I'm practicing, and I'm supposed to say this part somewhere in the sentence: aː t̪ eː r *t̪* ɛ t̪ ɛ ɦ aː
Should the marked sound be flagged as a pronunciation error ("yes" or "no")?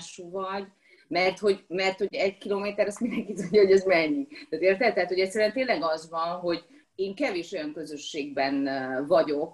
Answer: no